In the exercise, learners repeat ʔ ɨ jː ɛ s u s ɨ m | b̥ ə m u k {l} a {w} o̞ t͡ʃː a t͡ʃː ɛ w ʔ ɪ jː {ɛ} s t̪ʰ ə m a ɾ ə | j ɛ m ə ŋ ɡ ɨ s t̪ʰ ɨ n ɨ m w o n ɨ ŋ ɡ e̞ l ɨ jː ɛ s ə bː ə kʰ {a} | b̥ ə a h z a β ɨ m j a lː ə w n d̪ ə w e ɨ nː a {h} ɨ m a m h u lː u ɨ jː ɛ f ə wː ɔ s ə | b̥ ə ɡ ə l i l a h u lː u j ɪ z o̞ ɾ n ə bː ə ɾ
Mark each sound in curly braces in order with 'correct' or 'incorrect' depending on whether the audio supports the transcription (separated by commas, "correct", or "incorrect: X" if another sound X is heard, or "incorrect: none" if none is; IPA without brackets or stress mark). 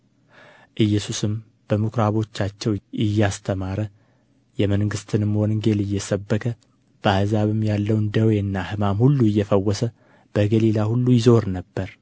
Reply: incorrect: ɾ, incorrect: β, incorrect: a, incorrect: ə, correct